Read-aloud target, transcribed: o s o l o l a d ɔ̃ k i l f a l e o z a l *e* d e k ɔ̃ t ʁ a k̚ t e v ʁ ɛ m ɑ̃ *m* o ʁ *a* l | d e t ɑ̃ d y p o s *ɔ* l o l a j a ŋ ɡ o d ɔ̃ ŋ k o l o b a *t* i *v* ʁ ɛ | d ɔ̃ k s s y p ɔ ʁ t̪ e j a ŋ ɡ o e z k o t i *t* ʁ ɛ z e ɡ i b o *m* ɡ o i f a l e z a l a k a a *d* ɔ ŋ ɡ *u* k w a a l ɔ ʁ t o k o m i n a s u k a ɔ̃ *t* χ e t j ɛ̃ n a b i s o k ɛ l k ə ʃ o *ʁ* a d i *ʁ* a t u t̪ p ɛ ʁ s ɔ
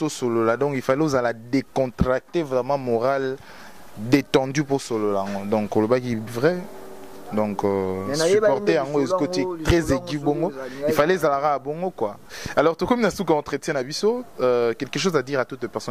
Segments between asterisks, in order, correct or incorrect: incorrect: a, correct, correct, incorrect: o, incorrect: k, correct, correct, incorrect: ŋ, incorrect: b, incorrect: o, correct, incorrect: z, correct

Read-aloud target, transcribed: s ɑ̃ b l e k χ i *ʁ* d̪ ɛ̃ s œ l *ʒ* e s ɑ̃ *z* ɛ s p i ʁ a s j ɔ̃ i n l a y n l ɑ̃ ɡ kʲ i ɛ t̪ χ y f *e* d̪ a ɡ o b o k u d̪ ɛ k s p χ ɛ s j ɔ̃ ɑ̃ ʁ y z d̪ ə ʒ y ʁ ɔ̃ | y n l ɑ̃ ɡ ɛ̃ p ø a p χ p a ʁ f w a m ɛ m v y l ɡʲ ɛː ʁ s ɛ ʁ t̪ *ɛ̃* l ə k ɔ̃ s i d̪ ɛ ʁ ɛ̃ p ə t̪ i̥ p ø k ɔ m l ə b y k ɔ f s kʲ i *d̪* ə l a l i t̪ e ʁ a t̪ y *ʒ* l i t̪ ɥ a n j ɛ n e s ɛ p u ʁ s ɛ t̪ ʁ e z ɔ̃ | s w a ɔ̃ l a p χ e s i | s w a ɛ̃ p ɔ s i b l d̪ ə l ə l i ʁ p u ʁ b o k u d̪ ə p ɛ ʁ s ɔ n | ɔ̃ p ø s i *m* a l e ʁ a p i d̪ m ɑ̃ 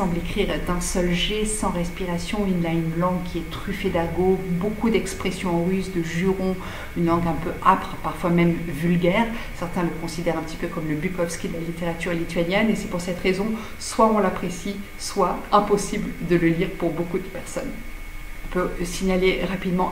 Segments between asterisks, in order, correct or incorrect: correct, correct, incorrect: ʁ, correct, correct, correct, incorrect: ʁ, incorrect: ɲ

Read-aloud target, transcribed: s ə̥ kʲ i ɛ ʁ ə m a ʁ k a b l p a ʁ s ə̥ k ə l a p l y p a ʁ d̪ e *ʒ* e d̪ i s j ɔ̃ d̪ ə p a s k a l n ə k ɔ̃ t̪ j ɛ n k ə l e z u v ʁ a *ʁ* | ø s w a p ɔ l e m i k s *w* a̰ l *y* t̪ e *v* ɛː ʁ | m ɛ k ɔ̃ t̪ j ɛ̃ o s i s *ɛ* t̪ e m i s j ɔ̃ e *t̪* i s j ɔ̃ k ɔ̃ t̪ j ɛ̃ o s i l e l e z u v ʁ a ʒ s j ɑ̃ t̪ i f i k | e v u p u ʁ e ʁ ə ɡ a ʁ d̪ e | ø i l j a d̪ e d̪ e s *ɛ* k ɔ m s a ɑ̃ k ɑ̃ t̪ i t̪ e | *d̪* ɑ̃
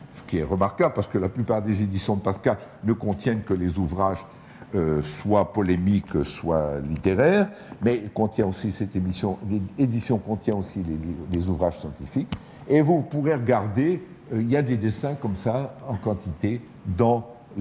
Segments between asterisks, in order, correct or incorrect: incorrect: z, incorrect: ʒ, correct, incorrect: i, incorrect: ʁ, correct, incorrect: d̪, incorrect: ɛ̃, correct

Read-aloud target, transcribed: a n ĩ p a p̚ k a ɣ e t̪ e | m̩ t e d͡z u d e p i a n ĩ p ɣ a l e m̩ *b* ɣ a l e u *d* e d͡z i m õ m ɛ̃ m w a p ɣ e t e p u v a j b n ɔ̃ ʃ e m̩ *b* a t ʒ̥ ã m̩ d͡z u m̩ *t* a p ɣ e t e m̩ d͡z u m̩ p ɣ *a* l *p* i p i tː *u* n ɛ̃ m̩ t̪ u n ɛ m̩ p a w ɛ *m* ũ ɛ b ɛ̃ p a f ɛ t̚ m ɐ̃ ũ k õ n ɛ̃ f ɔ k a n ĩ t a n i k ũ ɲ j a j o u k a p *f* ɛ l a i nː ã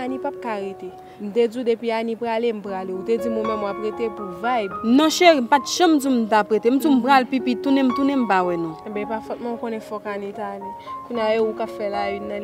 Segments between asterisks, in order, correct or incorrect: incorrect: p, incorrect: t, incorrect: p, correct, correct, correct, correct, incorrect: n, correct

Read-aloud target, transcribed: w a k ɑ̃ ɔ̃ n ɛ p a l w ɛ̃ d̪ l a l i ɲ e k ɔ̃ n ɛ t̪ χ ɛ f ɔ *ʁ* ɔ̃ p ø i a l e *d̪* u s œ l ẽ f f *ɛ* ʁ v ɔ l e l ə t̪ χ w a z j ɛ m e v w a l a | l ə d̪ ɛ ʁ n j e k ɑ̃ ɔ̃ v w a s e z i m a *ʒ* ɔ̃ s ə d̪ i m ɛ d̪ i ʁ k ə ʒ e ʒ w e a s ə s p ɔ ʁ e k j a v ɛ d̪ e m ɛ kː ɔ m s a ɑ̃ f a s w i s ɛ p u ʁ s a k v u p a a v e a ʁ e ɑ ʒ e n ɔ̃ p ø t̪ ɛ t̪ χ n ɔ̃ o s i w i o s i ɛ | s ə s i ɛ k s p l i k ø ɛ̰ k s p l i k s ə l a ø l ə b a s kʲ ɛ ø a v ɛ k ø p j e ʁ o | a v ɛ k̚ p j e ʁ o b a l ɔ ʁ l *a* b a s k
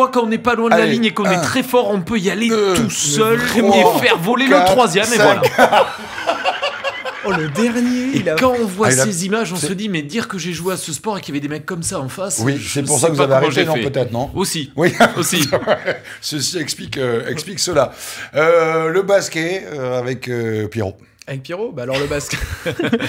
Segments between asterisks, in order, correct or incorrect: correct, incorrect: t̪, correct, correct, incorrect: ə

